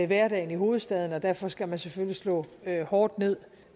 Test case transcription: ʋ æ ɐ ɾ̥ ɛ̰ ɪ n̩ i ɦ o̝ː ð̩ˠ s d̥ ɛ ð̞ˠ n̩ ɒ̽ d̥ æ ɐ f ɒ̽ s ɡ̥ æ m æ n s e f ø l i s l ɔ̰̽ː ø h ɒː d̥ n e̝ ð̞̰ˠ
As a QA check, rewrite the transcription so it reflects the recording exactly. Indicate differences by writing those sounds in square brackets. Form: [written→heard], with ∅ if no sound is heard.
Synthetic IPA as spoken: ʋ æ ɐ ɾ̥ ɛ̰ ɪ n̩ i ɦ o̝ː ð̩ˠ s d̥ ɛ ð̞ˠ n̩ ɒ̽ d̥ æ ɐ f ɒ̽ s ɡ̥ æ m æ n s e f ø l i s l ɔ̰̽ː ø h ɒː d̥ n e̝ ð̞̰ˠ